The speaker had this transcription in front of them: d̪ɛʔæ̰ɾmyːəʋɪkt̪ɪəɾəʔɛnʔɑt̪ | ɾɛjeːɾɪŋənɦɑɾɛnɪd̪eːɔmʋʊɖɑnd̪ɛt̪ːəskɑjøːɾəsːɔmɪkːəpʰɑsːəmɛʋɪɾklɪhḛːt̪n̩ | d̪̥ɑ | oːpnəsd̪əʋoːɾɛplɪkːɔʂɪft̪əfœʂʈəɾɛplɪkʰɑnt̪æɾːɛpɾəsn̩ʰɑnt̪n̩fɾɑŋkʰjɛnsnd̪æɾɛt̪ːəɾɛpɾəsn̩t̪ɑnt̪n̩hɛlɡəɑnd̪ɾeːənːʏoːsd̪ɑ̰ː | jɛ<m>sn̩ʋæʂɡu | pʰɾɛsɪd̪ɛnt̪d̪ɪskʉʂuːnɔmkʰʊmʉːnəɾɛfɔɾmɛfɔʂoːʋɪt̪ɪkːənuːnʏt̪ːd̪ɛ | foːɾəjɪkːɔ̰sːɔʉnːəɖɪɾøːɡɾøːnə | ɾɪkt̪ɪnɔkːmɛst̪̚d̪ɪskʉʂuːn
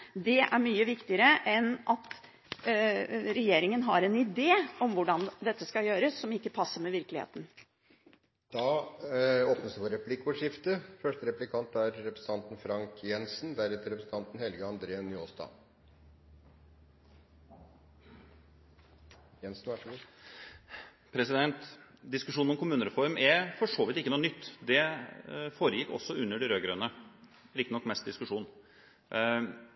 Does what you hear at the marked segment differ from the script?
yes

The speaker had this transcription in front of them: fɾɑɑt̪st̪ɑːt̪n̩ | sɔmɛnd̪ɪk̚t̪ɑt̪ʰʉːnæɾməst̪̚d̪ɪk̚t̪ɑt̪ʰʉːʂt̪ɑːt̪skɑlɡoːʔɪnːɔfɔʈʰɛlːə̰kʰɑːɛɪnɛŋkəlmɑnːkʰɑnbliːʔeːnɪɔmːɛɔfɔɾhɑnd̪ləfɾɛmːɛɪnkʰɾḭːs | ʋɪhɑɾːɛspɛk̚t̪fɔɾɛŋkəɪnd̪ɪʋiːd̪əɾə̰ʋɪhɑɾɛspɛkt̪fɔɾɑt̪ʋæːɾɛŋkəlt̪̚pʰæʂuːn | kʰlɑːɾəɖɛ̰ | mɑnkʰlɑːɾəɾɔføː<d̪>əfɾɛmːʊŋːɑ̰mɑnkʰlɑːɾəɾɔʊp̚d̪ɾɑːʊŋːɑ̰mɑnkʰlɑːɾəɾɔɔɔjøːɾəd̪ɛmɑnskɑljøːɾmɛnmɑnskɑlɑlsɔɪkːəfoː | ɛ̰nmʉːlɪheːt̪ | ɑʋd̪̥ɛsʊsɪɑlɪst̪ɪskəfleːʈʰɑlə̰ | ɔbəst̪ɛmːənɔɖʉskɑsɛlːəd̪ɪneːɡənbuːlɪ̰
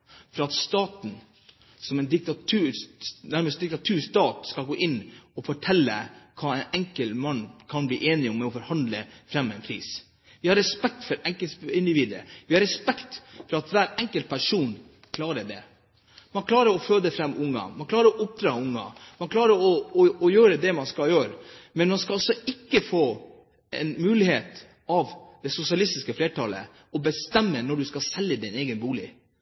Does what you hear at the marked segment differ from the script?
no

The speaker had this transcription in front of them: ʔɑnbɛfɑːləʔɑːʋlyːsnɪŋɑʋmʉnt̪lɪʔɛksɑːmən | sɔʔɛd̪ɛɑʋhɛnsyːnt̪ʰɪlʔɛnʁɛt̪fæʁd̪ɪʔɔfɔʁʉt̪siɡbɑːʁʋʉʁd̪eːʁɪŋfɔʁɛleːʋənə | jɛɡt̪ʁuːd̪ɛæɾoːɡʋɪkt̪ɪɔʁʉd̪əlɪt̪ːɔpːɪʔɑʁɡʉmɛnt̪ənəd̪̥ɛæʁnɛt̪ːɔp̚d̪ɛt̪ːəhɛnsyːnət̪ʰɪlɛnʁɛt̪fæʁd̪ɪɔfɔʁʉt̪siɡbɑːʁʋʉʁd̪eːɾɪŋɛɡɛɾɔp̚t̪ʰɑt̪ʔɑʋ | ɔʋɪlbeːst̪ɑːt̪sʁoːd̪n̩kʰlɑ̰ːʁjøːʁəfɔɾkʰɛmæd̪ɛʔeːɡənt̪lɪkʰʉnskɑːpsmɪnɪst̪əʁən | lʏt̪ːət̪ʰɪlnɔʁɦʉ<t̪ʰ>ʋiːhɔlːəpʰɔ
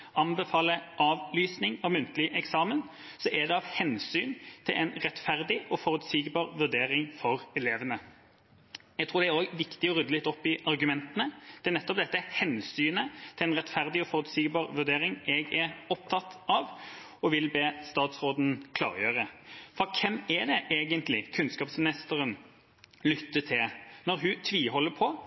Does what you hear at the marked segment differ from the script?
no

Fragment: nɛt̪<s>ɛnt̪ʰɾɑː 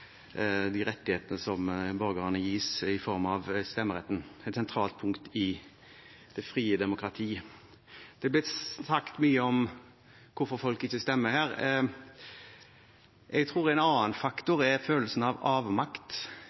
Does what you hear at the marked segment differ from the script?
no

